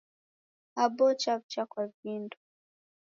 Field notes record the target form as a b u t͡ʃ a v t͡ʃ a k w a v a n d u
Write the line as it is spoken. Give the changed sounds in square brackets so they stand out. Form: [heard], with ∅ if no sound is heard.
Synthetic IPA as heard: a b [ɔ] t͡ʃ a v t͡ʃ a k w a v [i] n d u